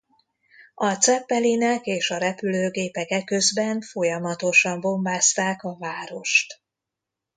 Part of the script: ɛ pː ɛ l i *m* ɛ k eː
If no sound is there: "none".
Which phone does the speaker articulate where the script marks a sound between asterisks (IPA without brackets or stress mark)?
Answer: n